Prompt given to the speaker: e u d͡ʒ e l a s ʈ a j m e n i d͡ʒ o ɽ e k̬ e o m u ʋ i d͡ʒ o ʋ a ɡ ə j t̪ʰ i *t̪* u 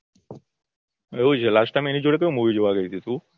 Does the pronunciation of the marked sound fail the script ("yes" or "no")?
no